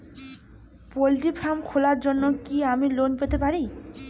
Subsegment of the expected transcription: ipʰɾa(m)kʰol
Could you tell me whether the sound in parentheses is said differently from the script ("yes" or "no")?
no